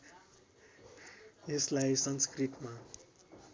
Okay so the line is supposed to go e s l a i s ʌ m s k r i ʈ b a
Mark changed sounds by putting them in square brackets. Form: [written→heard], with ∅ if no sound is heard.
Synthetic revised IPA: e s l a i s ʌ [m→n] s k r i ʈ [b→m] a